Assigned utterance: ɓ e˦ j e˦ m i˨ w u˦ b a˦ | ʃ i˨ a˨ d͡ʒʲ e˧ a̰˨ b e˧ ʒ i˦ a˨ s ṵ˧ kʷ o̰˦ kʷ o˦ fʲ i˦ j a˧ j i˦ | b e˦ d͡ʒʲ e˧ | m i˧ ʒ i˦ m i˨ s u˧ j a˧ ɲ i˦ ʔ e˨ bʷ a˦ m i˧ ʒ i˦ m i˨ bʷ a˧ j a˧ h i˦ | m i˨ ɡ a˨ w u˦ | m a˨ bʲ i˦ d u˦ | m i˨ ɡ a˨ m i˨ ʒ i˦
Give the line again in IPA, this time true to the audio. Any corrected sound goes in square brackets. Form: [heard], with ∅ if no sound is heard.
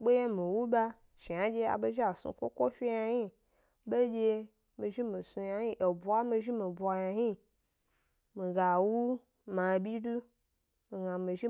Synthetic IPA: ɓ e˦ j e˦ m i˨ w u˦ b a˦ | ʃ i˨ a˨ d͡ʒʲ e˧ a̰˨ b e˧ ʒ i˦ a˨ s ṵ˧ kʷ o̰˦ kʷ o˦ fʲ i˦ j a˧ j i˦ | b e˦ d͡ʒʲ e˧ | m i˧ ʒ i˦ m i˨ s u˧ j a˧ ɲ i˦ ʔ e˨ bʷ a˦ m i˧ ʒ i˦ m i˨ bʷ a˧ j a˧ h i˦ | m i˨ ɡ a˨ w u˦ | m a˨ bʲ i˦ d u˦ | m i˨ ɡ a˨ m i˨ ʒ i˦